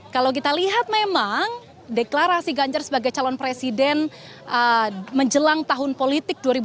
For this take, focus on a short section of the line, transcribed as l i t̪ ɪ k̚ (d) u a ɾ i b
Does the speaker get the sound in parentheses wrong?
no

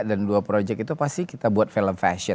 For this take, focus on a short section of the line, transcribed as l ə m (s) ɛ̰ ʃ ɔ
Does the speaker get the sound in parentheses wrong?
yes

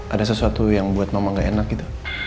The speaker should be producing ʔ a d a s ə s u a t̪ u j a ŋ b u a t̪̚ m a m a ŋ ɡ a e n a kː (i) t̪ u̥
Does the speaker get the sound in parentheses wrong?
no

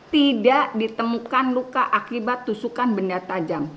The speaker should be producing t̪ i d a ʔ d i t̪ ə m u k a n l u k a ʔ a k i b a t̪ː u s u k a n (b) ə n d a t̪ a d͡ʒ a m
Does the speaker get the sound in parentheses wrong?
no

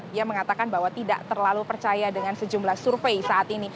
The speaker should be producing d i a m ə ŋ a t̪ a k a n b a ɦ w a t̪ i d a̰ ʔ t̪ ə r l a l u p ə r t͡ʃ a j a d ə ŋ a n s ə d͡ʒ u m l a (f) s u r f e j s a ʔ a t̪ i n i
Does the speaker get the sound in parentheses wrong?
yes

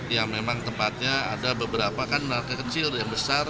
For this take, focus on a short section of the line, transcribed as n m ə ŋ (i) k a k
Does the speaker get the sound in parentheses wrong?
yes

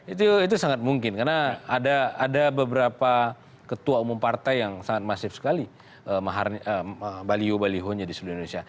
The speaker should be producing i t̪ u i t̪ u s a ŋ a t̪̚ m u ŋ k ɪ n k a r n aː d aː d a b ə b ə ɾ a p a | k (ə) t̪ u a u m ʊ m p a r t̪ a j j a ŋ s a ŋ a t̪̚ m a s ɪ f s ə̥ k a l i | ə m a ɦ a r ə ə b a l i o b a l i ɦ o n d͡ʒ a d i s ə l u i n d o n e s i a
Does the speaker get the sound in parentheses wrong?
no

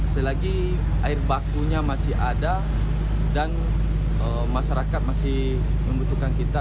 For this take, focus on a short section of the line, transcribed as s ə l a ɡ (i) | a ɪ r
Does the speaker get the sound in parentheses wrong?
no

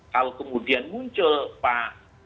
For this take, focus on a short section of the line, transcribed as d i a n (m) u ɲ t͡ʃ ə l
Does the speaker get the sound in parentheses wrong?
no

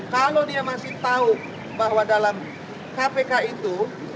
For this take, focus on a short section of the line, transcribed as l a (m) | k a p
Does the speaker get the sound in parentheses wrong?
no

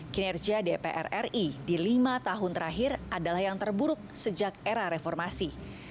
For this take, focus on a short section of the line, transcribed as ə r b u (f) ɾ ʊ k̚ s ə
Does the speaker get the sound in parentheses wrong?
yes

